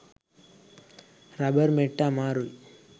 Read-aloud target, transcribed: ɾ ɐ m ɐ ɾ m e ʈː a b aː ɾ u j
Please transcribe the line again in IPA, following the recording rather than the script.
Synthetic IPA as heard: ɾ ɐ b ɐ ɾ m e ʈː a m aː ɾ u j